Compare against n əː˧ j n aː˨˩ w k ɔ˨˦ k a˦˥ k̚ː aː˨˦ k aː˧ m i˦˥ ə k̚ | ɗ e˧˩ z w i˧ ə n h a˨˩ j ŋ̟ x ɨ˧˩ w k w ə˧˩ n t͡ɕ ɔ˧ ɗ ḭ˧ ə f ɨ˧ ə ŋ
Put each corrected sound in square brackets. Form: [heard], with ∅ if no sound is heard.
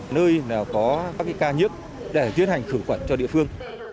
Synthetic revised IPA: n əː˧ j n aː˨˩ w k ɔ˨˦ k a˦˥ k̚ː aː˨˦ k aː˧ [ɲ] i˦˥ ə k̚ | ɗ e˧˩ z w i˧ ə n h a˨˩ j ŋ̟ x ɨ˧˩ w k w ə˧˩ n t͡ɕ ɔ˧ ɗ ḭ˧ ə f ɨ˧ ə ŋ